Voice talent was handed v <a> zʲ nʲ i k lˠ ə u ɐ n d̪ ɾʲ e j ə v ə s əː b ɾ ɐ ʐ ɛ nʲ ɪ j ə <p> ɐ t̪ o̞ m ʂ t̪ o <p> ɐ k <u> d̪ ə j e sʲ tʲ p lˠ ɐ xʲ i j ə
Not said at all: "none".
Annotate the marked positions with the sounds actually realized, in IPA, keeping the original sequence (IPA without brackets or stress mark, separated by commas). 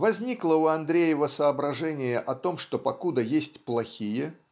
ɐ, ʔ, p, u